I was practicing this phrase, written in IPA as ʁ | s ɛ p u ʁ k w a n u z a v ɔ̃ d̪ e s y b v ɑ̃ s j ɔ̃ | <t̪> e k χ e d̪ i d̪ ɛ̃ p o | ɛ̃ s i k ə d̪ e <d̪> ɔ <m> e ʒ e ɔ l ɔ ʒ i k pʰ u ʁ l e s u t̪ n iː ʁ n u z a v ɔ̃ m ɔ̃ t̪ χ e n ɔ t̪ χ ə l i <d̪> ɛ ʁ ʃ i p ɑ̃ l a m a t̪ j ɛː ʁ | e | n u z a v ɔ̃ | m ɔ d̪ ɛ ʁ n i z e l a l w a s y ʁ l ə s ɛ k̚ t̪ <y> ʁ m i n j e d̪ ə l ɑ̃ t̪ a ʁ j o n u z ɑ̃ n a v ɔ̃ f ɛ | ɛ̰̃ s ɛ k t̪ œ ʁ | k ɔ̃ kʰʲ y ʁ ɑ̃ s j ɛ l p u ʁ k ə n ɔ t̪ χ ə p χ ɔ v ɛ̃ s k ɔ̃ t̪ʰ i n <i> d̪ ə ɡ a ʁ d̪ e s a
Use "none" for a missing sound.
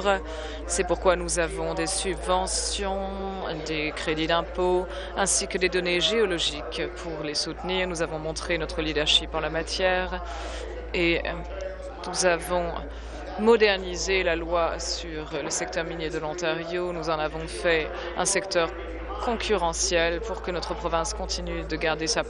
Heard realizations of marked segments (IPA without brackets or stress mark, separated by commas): d̪, d̪, n, d̪, œ, y